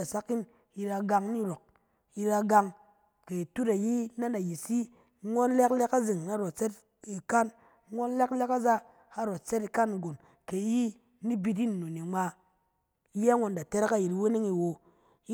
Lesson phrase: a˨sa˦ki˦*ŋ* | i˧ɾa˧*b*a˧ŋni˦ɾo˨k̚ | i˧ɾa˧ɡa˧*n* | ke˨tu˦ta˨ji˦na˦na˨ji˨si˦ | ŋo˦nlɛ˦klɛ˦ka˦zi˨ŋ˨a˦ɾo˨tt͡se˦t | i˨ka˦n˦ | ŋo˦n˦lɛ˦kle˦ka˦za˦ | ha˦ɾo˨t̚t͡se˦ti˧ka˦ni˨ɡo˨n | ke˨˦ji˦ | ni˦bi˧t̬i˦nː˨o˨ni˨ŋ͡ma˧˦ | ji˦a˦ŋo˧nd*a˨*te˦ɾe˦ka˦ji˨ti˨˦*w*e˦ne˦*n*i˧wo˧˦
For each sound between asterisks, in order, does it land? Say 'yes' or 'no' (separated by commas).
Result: no, no, no, yes, yes, no